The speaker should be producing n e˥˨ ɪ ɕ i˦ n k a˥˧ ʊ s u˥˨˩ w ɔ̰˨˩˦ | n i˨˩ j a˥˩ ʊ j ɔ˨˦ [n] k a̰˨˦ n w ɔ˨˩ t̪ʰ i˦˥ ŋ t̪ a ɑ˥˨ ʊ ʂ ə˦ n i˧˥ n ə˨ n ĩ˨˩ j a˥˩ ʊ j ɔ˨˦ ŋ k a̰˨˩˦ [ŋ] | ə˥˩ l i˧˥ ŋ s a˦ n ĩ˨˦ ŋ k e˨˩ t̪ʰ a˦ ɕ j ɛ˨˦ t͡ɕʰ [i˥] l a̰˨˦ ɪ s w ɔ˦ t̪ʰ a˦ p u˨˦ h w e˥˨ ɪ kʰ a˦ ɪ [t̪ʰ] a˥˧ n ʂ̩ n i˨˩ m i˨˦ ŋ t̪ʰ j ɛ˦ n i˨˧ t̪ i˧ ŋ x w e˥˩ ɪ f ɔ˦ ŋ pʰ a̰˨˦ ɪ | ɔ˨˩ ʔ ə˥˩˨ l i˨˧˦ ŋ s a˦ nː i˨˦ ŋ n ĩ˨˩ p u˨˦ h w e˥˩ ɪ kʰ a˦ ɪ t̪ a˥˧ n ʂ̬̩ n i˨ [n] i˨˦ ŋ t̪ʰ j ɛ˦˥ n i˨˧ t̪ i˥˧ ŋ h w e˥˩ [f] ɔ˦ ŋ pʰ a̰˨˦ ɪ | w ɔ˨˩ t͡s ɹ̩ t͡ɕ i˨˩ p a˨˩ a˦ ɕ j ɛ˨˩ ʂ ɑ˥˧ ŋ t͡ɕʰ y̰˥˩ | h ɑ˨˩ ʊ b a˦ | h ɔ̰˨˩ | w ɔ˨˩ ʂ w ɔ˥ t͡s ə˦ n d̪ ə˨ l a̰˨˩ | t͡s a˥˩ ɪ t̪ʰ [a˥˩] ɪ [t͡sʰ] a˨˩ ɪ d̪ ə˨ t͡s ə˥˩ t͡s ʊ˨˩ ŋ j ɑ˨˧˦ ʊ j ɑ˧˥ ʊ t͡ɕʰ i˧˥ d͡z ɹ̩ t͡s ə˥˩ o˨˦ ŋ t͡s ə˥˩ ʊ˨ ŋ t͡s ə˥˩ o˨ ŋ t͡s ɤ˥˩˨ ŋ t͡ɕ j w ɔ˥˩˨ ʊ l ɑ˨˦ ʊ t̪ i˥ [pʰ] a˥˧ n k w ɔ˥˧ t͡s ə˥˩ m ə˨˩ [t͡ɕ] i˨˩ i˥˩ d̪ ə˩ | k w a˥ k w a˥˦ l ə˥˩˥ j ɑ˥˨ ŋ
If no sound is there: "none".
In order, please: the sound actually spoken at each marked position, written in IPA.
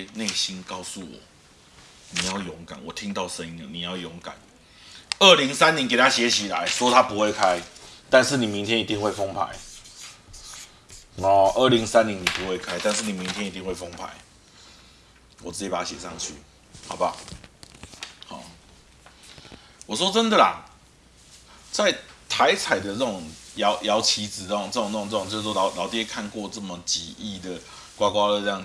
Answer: ŋ, n, i˨, t̪, m, f, a˧˦, t͡sʰ, kʰ, t͡ɕ

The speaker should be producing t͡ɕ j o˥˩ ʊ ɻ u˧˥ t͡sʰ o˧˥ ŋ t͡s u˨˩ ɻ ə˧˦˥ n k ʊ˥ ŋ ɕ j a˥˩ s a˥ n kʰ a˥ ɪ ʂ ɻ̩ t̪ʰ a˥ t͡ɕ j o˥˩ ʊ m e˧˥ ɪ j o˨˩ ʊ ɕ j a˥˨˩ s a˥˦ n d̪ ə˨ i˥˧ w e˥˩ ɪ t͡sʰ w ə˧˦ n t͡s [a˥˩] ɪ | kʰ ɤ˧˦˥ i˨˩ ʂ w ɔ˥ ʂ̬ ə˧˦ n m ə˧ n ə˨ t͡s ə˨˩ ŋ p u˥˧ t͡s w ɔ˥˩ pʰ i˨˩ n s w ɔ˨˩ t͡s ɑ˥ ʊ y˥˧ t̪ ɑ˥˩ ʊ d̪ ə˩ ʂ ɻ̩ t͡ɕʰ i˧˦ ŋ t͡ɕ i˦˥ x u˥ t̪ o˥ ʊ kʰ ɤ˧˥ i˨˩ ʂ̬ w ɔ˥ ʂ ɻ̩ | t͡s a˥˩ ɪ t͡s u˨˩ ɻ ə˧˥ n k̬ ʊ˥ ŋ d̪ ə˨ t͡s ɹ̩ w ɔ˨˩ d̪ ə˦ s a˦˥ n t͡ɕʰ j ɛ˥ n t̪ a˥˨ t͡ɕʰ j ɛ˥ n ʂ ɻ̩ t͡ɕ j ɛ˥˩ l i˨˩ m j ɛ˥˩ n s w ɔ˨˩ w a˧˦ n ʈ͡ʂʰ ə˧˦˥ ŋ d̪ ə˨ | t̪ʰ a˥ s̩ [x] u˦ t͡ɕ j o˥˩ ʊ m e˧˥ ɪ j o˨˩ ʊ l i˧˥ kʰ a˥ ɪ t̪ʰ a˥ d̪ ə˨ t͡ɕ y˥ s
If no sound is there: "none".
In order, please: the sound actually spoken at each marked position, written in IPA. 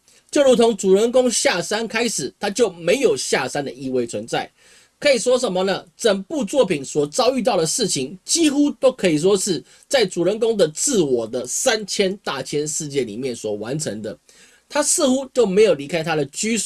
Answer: a˥˩, x

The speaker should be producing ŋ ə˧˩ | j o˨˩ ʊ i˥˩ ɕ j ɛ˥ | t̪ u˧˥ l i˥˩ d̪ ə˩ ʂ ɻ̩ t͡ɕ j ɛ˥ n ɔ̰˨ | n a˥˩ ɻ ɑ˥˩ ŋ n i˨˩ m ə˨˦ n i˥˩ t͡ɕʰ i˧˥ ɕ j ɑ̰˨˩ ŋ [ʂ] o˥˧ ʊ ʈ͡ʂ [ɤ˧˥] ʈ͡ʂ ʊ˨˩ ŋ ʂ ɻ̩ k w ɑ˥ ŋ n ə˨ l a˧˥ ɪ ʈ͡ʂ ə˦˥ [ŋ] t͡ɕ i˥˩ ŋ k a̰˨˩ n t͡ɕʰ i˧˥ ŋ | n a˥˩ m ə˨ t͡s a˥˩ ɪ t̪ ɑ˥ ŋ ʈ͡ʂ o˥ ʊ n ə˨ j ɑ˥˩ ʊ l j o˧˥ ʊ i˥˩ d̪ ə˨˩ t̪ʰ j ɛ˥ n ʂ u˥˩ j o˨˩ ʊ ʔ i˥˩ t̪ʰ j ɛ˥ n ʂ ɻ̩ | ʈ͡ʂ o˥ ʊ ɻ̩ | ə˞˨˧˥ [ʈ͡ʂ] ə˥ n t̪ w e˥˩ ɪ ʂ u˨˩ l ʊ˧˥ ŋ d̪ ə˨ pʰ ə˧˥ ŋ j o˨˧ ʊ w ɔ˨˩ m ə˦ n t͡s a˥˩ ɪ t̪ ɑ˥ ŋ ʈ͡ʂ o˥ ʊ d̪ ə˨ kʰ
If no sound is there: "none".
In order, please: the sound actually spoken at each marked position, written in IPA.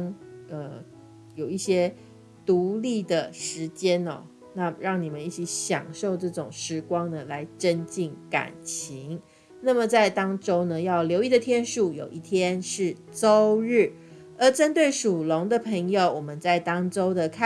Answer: ʂ, ɤ˥˩, n, ʈ͡ʂ

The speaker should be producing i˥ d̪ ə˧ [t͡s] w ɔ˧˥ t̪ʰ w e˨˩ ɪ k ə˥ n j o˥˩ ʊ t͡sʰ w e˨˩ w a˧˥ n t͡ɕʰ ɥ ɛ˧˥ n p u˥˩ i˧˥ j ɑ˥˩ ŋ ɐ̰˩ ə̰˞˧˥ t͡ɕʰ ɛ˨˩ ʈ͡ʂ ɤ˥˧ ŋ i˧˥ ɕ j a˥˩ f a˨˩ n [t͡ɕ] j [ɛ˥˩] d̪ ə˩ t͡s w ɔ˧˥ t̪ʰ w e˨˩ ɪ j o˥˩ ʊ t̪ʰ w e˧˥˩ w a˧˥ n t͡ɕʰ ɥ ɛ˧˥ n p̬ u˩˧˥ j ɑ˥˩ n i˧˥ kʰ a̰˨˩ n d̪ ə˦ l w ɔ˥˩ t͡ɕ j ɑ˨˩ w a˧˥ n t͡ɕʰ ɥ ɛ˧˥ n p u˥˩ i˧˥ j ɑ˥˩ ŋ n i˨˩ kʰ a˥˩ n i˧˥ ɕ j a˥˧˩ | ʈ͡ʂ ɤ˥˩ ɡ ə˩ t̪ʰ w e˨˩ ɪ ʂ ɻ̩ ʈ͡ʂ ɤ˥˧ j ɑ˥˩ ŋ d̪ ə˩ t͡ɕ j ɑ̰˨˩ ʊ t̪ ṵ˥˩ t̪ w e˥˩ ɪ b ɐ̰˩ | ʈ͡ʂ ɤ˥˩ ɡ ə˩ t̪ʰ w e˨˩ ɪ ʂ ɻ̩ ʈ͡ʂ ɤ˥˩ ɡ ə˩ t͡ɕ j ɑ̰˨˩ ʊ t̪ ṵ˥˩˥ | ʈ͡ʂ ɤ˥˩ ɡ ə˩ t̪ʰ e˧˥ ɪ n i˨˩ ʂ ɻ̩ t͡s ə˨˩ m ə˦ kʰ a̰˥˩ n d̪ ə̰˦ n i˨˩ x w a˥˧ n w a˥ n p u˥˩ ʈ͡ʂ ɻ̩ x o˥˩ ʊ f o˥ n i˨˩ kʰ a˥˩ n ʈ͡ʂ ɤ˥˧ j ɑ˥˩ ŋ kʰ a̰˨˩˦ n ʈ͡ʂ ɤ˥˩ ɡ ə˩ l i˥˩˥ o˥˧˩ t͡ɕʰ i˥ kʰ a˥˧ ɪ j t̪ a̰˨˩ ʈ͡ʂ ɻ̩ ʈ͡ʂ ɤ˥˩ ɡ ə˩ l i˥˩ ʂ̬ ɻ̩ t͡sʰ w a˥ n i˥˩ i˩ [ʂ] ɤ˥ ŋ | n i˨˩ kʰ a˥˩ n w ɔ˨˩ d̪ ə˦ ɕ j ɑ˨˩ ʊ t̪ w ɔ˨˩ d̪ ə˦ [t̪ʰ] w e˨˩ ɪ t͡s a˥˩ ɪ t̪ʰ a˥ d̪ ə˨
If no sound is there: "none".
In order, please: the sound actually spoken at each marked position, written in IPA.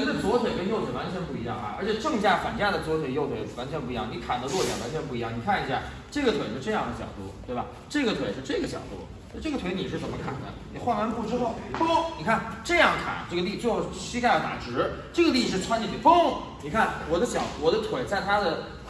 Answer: t͡s, t͡ɕ, a˥˩, f, t̪ʰ

